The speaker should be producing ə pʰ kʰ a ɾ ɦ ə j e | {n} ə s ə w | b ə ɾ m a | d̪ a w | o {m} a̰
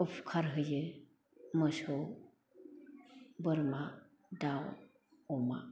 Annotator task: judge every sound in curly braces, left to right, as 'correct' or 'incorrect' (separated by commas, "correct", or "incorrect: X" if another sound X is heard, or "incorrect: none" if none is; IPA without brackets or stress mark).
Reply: incorrect: m, correct